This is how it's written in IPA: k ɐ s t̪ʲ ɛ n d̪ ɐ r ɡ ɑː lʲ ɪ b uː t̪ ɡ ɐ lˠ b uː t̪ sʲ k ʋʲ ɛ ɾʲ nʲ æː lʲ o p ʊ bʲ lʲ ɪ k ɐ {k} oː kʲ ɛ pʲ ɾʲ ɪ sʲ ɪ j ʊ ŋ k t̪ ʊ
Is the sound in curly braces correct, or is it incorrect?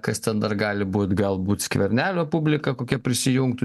correct